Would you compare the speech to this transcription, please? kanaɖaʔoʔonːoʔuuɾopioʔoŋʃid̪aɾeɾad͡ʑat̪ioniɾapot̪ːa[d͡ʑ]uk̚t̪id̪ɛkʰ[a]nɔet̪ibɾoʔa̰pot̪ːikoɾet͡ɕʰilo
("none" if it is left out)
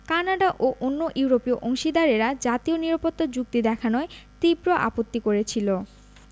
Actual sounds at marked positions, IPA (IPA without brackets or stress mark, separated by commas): d͡ʑ, a